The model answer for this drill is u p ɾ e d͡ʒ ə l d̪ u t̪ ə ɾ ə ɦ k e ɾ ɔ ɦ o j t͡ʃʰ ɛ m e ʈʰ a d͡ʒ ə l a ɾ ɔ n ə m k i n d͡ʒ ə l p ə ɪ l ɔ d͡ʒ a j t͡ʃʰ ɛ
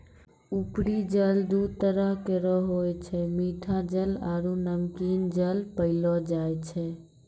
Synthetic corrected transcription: u p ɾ i d͡ʒ ə l d̪ u t̪ ə ɾ ə ɦ k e ɾ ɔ ɦ o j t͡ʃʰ ɛ m i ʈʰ a d͡ʒ ə l a ɾ u n ə m k i n d͡ʒ ə l p ə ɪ l ɔ d͡ʒ a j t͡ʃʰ ɛ